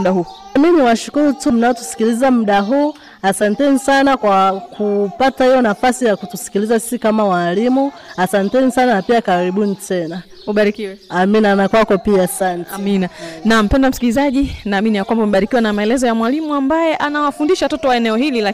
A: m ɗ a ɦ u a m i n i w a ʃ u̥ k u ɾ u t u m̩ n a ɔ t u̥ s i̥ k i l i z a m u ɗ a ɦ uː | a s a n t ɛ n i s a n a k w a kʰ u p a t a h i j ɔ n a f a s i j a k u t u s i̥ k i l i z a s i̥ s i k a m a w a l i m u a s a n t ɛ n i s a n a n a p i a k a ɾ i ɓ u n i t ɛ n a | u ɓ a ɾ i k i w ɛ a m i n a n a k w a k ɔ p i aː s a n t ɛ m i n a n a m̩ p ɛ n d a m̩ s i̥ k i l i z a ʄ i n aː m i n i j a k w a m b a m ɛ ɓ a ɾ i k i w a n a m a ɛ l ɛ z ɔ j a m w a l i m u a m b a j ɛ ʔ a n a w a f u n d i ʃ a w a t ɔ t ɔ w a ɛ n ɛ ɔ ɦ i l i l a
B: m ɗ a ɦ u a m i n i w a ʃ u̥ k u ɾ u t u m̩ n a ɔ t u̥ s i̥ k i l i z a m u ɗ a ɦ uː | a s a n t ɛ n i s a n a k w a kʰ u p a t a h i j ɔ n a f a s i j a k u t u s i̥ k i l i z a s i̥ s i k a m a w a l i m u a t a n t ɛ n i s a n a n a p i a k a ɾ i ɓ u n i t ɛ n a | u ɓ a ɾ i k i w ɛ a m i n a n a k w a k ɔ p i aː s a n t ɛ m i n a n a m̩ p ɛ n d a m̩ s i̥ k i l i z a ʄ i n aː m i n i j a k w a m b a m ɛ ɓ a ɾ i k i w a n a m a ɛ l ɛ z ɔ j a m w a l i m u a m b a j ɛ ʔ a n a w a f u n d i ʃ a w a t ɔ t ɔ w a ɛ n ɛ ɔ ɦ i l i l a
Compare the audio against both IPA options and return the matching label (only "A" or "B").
A